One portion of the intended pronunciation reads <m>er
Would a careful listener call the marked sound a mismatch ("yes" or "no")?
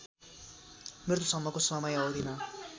no